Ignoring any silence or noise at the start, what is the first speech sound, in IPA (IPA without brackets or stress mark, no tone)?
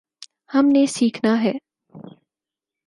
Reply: h